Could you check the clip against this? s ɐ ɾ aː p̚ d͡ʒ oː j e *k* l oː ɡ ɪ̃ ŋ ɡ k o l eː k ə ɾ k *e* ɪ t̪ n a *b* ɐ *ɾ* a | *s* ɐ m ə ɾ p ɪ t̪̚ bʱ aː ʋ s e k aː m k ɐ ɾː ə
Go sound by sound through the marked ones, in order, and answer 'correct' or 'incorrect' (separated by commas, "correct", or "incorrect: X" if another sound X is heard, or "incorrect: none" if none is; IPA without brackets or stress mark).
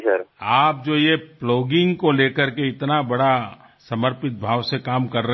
incorrect: p, correct, correct, incorrect: ɽ, correct